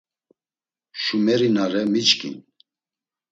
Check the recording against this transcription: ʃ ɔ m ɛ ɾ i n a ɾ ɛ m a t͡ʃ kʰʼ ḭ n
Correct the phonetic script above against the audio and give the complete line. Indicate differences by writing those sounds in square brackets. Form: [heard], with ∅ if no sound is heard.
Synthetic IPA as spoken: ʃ [u] m ɛ ɾ i n a ɾ ɛ m [i] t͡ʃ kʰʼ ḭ n